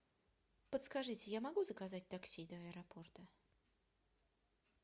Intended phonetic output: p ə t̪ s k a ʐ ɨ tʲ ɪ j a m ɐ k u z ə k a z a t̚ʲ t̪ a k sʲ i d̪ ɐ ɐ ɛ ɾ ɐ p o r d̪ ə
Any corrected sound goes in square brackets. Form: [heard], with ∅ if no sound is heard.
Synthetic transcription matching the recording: p ə t̪ s k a ʐ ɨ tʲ ɪ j a m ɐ [ɡ] u z ə k a z a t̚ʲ t̪ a k sʲ i d̪ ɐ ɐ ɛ ɾ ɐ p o r [t̪] ə